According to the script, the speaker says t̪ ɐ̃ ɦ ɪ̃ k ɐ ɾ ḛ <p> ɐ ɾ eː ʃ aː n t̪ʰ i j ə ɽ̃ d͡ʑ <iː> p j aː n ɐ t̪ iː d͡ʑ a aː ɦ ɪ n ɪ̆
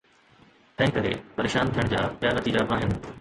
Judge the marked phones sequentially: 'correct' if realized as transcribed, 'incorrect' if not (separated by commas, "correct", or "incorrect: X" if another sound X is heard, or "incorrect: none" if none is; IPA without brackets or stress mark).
correct, incorrect: aː